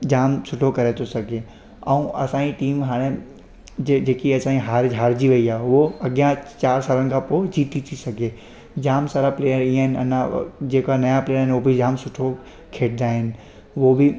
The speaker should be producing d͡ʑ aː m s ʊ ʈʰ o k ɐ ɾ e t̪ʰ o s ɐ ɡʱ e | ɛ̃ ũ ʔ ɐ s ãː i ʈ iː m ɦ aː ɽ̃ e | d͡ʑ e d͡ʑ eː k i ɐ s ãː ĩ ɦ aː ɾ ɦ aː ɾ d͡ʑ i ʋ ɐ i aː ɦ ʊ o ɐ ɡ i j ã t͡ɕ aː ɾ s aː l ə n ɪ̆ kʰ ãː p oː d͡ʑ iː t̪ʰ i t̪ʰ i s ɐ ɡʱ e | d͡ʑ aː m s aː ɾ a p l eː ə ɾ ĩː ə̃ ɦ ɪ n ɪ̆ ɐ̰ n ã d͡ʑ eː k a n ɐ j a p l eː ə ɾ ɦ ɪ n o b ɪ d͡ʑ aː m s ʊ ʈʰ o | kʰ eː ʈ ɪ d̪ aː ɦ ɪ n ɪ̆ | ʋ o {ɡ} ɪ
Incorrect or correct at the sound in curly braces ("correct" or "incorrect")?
incorrect